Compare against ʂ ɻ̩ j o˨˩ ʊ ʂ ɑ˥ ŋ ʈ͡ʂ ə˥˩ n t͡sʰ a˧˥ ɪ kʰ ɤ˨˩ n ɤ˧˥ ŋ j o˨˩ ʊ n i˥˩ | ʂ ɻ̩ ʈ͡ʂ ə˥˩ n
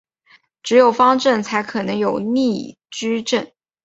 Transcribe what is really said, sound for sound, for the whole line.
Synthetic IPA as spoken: ʈ͡ʂ ɻ̩ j o˨˩ ʊ f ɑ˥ ŋ ʈ͡ʂ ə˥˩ n t͡sʰ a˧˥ ɪ kʰ ɤ˨˩ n ɤ˧˥ ŋ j o˨˩ ʊ n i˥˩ | ʈ͡ʂ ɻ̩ ʈ͡ʂ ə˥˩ n